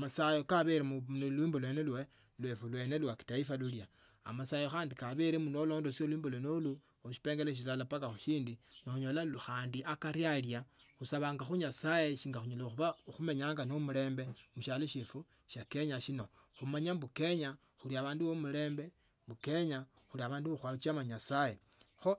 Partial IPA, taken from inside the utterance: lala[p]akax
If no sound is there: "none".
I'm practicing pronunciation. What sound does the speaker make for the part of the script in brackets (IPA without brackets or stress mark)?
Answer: p